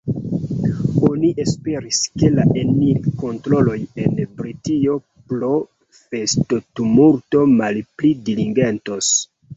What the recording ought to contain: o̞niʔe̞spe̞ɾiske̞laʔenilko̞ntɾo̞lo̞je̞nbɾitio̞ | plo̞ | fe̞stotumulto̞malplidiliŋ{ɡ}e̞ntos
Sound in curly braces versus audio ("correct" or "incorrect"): correct